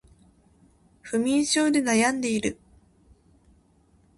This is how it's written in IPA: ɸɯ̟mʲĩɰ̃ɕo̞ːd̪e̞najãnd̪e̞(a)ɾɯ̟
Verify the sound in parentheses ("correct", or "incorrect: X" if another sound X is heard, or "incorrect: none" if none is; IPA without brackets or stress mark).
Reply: incorrect: i